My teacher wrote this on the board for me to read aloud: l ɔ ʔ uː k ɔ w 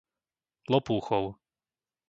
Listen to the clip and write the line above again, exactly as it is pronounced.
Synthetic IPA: l ɔ p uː x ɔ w